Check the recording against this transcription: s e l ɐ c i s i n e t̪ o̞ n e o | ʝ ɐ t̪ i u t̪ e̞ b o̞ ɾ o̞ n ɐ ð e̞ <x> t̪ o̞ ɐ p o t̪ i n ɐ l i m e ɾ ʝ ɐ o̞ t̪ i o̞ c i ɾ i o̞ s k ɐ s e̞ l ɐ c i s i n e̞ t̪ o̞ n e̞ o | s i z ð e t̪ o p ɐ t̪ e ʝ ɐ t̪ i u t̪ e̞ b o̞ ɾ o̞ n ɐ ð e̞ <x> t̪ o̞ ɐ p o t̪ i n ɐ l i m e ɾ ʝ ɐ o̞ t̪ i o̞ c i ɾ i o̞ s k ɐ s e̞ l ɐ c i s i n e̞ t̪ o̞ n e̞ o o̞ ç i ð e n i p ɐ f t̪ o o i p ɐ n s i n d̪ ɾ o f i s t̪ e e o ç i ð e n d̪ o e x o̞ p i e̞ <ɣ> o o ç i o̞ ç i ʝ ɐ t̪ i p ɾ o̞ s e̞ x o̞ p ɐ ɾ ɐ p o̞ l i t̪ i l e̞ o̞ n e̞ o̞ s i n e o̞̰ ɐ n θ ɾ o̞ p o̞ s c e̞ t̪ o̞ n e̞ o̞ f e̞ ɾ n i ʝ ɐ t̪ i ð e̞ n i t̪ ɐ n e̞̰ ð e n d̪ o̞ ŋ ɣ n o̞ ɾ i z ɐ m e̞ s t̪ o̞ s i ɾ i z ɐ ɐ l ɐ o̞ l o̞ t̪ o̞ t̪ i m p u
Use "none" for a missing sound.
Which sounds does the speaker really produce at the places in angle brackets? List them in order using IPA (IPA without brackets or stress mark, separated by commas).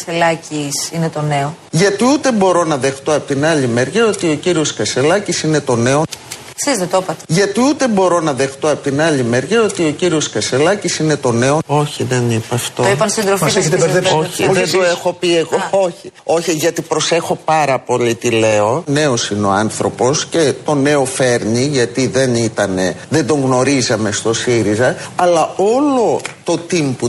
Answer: x, x, ɣ